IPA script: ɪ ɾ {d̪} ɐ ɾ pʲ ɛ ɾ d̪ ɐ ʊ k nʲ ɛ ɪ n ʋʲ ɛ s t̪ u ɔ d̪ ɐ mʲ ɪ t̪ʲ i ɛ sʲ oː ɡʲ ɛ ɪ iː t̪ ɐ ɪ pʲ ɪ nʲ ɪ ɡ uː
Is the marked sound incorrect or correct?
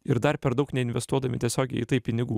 correct